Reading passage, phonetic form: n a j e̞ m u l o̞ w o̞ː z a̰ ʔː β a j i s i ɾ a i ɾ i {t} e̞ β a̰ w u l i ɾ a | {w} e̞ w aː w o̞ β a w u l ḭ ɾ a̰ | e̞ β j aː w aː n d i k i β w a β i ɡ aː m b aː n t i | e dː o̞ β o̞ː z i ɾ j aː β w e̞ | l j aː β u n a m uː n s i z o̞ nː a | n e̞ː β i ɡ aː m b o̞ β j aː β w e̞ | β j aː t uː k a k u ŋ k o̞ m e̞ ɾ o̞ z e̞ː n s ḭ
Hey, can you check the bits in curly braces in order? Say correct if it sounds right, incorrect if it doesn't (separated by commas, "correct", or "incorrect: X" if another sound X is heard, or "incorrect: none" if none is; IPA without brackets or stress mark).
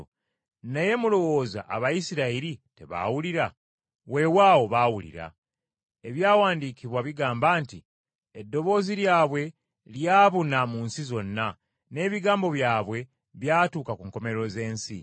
correct, correct